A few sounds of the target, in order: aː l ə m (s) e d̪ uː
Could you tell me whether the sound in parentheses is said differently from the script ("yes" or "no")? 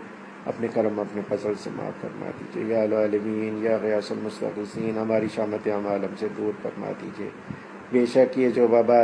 no